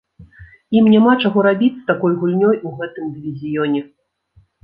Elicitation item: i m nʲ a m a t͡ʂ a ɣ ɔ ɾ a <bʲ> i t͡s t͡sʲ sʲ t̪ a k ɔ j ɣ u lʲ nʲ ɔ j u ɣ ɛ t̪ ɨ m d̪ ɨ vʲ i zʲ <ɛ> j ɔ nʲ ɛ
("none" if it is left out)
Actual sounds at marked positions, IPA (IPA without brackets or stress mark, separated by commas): bʲ, i